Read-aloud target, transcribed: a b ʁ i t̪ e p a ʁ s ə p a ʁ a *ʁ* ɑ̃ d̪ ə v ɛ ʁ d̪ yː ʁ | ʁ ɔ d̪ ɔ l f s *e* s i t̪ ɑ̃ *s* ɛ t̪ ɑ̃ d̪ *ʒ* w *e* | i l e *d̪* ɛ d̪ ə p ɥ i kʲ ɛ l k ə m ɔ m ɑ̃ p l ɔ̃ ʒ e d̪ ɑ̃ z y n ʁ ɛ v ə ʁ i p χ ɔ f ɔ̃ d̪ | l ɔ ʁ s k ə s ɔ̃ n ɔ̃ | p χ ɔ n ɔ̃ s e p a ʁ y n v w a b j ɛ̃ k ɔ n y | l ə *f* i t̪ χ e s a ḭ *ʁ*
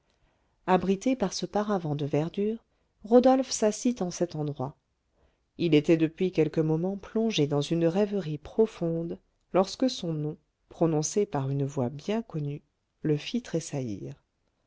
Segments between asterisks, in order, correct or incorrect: incorrect: v, incorrect: a, correct, incorrect: ʁ, incorrect: a, incorrect: t̪, correct, correct

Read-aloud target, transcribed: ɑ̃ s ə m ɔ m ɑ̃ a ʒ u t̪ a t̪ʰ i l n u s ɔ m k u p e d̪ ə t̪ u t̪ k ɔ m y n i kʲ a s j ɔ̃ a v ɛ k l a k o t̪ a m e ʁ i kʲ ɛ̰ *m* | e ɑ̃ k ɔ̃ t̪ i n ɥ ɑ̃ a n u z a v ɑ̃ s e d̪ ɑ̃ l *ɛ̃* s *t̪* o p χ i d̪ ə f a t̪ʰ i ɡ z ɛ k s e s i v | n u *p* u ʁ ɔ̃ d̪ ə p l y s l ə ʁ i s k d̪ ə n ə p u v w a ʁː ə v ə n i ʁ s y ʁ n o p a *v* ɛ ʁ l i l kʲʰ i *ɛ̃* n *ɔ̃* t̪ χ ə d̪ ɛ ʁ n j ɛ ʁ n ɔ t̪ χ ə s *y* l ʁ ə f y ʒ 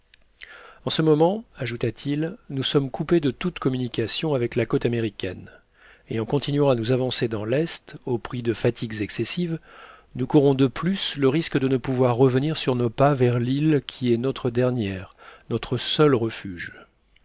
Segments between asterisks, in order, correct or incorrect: incorrect: n, incorrect: ɛ, correct, incorrect: k, correct, incorrect: ɛ, incorrect: ɔ, incorrect: œ

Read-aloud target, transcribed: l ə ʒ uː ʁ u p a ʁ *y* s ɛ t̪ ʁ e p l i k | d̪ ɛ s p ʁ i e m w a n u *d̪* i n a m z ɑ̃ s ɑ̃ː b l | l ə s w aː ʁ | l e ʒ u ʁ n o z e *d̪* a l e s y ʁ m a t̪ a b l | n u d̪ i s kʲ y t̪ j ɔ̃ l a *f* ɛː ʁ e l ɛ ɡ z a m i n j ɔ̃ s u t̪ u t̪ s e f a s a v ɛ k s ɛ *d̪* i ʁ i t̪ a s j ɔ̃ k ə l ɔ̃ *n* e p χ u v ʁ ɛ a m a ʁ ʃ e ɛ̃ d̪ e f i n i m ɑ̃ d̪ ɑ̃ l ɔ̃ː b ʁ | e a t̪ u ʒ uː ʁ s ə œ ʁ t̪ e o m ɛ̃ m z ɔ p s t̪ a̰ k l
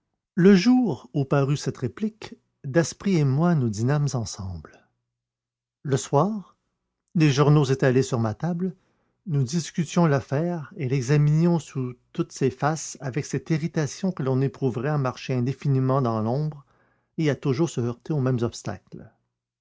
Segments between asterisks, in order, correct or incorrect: correct, correct, incorrect: t̪, correct, incorrect: t̪, correct

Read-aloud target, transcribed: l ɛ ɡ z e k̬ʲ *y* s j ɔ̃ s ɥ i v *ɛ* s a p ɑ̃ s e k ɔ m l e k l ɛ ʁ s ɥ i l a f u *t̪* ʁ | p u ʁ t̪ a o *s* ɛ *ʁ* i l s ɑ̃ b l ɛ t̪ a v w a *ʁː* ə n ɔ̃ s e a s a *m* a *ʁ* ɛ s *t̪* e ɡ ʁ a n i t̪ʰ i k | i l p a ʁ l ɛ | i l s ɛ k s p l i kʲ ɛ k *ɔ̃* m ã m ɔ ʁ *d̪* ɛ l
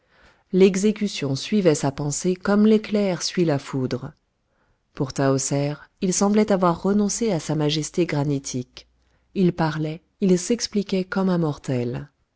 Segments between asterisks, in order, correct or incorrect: correct, correct, incorrect: d̪, correct, correct, correct, correct, incorrect: ʒ, correct, incorrect: ɔ, incorrect: t̪

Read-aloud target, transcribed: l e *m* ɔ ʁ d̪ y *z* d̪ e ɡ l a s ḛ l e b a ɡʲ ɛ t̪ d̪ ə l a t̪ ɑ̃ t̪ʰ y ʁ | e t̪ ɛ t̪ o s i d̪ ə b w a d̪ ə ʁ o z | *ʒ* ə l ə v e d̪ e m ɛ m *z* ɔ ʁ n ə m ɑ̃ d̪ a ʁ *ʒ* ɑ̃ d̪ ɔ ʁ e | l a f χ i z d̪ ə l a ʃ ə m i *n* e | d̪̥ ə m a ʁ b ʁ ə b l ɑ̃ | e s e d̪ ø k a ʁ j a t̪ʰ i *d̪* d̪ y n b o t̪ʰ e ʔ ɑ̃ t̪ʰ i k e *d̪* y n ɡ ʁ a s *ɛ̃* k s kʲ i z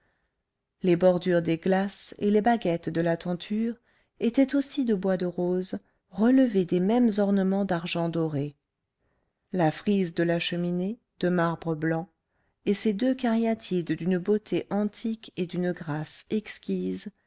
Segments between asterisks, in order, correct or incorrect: incorrect: b, incorrect: ʁ, incorrect: ʁ, correct, correct, correct, correct, correct, incorrect: ɛ

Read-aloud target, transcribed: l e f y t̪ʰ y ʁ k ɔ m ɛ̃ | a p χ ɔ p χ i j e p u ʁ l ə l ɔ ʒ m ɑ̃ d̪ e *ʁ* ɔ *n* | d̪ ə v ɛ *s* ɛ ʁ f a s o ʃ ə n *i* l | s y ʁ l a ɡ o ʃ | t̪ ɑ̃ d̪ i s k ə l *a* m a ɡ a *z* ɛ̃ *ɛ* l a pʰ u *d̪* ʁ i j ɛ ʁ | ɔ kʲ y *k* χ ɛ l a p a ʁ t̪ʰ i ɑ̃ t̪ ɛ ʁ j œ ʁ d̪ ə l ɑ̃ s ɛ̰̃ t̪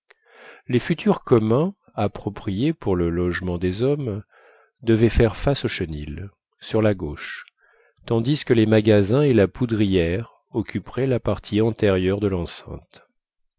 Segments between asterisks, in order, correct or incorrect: incorrect: z, incorrect: m, incorrect: f, correct, incorrect: e, correct, incorrect: e, correct, incorrect: p

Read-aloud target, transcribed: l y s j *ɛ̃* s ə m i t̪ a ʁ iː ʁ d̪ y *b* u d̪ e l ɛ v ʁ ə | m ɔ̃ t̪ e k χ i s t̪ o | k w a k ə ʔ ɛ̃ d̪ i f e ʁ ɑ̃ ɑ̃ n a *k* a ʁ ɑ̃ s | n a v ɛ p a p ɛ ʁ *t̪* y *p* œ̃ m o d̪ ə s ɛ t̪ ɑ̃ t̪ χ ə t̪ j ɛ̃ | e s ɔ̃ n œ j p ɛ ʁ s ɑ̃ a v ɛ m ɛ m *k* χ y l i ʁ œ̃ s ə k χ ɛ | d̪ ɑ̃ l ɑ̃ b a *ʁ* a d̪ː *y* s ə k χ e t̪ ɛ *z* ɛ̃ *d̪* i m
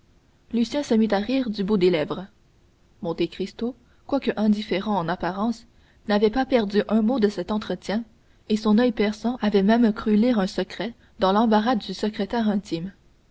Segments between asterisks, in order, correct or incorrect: correct, correct, incorrect: p, incorrect: d̪, incorrect: ʔ, correct, correct, correct, incorrect: ʁ, incorrect: t̪

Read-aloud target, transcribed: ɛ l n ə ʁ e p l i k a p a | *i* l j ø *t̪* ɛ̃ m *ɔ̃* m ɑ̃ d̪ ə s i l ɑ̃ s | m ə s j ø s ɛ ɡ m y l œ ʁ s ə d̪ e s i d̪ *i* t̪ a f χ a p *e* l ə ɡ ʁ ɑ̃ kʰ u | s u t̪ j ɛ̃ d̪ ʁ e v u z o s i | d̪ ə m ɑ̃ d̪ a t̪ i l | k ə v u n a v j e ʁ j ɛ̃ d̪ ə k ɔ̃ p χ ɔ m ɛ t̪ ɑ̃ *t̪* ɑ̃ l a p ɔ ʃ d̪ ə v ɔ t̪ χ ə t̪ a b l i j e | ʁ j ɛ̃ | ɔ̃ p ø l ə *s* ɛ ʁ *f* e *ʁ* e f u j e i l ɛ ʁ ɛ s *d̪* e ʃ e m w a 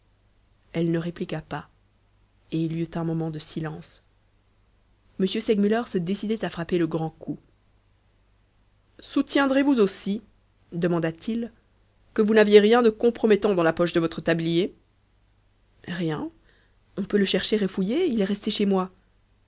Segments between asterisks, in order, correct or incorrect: incorrect: e, correct, incorrect: ɔ, incorrect: ɛ, correct, incorrect: d̪, incorrect: ʃ, incorrect: ʃ, correct, incorrect: t̪

